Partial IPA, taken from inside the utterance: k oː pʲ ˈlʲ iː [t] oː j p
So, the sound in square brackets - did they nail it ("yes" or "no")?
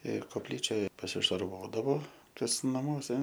no